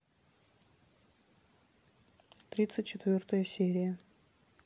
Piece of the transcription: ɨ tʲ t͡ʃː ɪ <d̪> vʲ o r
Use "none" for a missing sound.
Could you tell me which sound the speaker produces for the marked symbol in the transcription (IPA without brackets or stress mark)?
t̪